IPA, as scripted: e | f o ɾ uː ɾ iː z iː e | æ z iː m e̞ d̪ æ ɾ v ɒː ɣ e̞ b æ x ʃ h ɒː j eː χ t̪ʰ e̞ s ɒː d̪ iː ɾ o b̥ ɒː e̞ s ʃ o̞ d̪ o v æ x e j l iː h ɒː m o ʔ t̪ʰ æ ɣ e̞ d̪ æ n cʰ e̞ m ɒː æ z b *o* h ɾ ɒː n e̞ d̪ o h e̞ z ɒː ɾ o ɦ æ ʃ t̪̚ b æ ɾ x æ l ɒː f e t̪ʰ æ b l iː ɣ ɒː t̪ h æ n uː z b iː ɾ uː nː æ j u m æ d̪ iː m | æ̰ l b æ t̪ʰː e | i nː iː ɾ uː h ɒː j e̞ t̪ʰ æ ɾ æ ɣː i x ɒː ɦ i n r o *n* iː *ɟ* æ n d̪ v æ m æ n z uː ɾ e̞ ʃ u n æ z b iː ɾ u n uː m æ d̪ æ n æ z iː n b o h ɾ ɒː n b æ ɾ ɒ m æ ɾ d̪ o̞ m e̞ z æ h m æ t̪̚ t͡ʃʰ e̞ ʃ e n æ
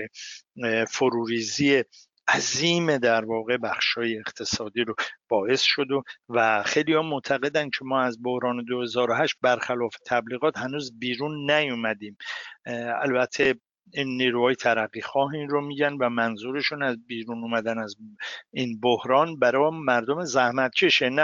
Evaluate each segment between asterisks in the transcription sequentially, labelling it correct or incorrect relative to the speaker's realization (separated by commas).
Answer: correct, incorrect, correct